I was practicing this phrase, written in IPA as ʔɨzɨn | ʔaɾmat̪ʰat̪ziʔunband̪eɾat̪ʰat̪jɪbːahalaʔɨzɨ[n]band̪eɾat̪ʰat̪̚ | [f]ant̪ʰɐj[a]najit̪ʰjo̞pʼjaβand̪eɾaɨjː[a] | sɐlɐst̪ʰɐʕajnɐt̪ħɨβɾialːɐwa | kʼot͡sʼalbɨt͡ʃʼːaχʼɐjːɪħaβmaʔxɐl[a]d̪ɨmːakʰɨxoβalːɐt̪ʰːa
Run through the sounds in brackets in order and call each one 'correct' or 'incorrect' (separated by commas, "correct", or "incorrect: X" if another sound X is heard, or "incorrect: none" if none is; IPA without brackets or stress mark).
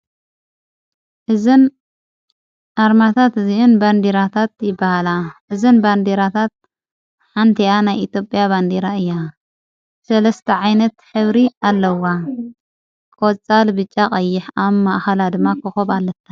correct, incorrect: ħ, correct, correct, correct